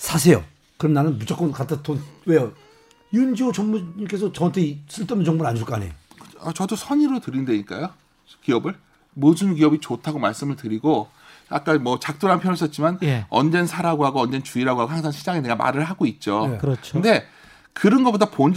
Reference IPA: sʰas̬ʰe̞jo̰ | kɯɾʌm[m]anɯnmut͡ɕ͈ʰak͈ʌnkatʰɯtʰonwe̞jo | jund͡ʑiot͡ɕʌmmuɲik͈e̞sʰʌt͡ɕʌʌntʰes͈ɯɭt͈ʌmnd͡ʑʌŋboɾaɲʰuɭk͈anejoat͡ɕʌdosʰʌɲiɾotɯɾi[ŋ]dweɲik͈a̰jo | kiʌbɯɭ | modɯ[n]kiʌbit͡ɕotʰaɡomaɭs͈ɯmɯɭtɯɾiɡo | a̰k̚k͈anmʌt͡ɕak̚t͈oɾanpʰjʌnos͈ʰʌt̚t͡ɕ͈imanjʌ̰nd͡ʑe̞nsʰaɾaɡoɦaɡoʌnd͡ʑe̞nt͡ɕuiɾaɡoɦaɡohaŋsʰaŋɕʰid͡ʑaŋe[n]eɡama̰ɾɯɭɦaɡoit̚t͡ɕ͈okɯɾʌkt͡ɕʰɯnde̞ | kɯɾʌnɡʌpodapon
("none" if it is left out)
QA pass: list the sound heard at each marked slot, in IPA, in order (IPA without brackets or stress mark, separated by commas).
n, n, n, n